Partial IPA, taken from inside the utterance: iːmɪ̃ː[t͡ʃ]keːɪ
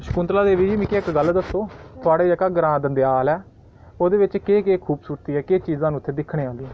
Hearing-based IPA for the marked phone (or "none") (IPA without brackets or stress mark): none